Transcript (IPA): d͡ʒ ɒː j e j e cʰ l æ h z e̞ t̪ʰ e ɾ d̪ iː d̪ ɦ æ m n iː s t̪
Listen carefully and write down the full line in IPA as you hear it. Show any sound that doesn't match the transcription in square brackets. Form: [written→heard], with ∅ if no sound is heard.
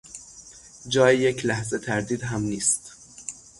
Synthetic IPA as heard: d͡ʒ ɒː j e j e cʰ l æ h z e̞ t̪ʰ [e→æ] ɾ d̪ iː d̪ ɦ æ m n iː s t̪

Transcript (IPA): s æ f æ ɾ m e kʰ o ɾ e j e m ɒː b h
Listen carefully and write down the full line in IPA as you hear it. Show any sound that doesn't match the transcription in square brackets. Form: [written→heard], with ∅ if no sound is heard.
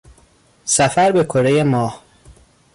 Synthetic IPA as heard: s æ f æ ɾ [m→b] e kʰ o ɾ e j e m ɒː [b→∅] h

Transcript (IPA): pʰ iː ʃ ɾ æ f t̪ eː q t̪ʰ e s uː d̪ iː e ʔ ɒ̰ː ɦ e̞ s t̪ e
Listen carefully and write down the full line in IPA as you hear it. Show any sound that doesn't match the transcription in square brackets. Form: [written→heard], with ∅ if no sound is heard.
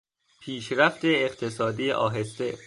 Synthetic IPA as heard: pʰ iː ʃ ɾ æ f t̪ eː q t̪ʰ e s [uː→ɒː] d̪ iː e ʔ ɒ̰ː ɦ e̞ s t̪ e

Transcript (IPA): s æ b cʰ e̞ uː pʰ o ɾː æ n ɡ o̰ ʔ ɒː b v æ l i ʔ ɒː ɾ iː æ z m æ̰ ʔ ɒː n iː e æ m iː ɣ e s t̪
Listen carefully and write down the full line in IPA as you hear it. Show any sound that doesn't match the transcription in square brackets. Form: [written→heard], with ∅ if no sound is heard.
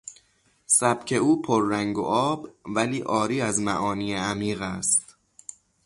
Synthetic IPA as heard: s æ b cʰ e̞ uː pʰ o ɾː æ [n→ŋ] ɡ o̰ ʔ ɒː b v æ l [i→iː] ʔ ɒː ɾ iː æ z m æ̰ ʔ ɒː n iː e æ m iː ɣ [e→æ] s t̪

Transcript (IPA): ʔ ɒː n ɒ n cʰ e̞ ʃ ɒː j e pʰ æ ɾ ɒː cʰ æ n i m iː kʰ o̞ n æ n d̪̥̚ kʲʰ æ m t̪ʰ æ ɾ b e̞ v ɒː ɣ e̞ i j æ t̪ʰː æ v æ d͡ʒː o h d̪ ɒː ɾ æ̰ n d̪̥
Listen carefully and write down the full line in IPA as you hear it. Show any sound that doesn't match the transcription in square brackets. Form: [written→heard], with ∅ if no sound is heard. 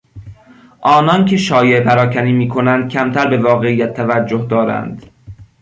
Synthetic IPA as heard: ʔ ɒː n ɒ n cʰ e̞ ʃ ɒː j e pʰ æ ɾ ɒː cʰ æ n [i→iː] m iː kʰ o̞ n æ n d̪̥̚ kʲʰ æ m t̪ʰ æ ɾ b e̞ v ɒː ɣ e̞ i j æ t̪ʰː æ v æ d͡ʒː o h d̪ ɒː ɾ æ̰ n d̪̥

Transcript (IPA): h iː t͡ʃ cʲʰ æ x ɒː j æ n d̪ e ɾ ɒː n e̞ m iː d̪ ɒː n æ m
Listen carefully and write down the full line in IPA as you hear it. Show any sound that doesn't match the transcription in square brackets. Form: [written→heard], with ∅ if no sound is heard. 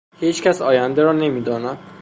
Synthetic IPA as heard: h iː t͡ʃ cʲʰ æ [x→s] ɒː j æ n d̪ e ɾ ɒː n e̞ m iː d̪ ɒː n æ m

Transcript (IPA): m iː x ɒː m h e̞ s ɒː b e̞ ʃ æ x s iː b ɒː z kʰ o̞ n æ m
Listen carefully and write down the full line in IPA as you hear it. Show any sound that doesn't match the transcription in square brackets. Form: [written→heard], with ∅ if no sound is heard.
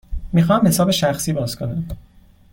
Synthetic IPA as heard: m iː x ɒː m h e̞ s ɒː b e̞ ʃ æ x s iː b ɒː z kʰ o̞ n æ m

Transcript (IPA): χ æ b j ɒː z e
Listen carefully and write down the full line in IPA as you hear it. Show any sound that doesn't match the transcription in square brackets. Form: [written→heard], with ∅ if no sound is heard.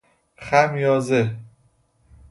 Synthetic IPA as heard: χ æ [b→m] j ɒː z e

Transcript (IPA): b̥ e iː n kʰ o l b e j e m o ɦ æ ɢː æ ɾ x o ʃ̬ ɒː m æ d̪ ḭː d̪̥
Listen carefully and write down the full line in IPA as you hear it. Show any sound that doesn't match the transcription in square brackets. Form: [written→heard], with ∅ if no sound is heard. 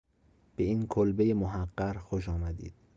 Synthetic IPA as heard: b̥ e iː n kʰ o l b e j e m o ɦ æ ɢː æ ɾ x o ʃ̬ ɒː m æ d̪ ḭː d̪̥

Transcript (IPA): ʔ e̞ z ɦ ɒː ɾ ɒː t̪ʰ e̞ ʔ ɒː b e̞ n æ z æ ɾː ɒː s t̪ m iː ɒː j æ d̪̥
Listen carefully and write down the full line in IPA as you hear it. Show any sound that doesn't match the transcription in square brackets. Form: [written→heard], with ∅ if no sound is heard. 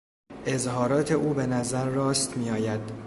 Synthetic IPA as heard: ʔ e̞ z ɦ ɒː ɾ ɒː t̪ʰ e̞ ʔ [ɒː→uː] b e̞ n æ z æ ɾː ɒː s t̪ m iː ɒː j æ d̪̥

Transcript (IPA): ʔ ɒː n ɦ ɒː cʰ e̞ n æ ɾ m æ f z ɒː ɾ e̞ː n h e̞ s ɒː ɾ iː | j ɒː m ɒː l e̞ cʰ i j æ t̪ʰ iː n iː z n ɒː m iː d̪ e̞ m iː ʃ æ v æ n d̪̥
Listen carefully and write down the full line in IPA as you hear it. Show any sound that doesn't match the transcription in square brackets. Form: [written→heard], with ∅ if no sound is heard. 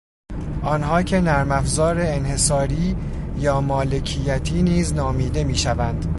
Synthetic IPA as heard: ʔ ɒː n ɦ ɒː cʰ e̞ n æ ɾ m æ f z ɒː ɾ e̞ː n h e̞ s ɒː ɾ iː | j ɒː m ɒː l e̞ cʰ i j æ t̪ʰ iː n iː z n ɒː m iː d̪ e̞ m iː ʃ æ v æ n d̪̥

